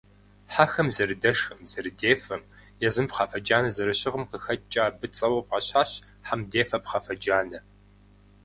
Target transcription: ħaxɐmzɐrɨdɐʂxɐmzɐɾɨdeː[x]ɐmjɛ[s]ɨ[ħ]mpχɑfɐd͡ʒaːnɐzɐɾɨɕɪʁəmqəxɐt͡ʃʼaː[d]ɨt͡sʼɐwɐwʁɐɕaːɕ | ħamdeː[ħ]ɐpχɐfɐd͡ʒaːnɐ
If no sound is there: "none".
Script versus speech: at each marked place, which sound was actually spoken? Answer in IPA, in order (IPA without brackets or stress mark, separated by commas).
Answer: f, z, none, b, f